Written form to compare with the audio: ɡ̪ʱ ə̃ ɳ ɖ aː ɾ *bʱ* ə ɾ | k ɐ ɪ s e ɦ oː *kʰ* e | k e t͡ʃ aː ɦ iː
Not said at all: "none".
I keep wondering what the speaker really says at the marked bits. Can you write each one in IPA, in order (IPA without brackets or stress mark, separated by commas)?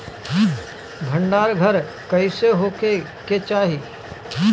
ɡʱ, k